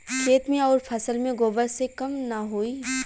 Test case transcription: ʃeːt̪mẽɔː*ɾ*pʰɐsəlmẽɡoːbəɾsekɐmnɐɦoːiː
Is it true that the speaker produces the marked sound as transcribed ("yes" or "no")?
yes